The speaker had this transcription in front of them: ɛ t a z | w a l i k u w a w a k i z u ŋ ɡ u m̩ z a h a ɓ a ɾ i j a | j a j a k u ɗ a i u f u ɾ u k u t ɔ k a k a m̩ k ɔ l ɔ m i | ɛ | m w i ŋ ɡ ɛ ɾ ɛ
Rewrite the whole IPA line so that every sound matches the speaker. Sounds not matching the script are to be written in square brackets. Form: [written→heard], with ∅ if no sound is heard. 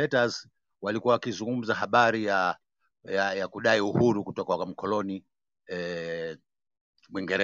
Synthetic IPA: ɛ t a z | w a l i k u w a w a k i z u ŋ ɡ u m̩ z a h a ɓ a ɾ i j a | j a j a k u ɗ a i u [f→h] u ɾ u k u t ɔ k a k a m̩ k ɔ l ɔ [m→n] i | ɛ | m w i ŋ ɡ ɛ ɾ ɛ